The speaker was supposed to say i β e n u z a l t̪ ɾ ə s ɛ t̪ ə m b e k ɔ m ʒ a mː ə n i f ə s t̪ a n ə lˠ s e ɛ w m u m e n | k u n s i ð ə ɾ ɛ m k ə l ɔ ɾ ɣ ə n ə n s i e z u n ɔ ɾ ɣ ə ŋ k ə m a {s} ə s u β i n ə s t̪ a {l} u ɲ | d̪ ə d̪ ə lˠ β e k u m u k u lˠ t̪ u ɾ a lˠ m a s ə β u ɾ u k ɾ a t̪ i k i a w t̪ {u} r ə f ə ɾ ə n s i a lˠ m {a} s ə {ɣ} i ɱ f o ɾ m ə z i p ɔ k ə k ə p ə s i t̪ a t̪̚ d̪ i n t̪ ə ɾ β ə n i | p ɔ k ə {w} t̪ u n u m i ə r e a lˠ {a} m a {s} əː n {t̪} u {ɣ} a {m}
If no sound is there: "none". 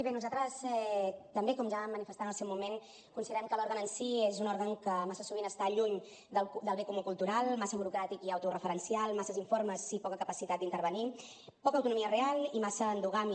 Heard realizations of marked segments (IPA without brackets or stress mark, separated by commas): s, ʎ, u, a, z, w, i, s, d̪, ɣ, m